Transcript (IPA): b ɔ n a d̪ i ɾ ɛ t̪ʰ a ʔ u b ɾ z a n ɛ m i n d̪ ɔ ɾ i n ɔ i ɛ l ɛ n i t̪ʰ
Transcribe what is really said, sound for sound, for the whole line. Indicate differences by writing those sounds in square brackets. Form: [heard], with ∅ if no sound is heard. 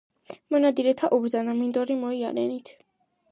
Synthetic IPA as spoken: [m] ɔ n a d̪ i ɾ ɛ t̪ʰ a ʔ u b ɾ z a n [a] m i n d̪ ɔ ɾ i [m] ɔ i [a] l ɛ n i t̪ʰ